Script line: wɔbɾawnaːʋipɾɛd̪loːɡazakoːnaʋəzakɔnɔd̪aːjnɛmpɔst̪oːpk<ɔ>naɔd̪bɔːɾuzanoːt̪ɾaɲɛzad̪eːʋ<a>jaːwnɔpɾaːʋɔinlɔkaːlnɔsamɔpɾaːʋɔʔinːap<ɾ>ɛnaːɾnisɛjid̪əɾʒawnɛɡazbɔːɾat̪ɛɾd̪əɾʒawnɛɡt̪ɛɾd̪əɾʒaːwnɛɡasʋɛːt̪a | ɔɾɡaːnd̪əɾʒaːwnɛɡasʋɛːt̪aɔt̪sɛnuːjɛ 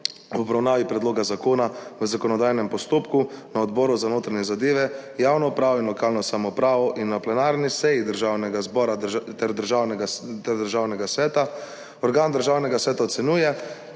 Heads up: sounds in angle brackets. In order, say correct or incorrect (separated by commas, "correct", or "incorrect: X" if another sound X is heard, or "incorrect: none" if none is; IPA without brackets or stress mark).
incorrect: u, incorrect: ɛ, incorrect: l